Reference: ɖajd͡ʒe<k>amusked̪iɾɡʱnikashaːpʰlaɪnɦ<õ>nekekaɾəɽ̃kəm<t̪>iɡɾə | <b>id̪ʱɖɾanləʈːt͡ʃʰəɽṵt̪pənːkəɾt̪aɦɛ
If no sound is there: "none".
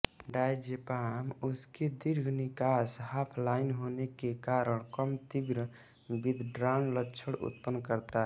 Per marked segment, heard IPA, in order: p, o, t̪, b

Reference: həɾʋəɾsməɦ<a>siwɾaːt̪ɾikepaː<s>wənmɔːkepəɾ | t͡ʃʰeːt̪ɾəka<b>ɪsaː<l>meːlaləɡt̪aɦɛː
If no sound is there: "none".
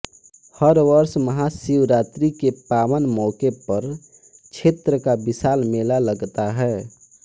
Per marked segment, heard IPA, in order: a, none, b, l

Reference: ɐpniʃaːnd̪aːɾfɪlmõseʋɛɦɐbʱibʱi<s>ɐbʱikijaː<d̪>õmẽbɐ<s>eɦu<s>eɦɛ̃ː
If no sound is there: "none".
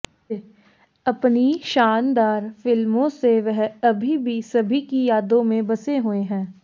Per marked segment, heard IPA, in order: s, d̪, s, none

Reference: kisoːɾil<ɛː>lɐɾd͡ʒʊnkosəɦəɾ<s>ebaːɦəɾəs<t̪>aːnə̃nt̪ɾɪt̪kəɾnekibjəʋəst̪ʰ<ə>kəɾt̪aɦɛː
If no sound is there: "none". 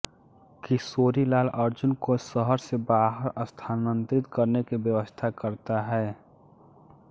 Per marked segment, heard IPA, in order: aː, s, t̪ʰ, a

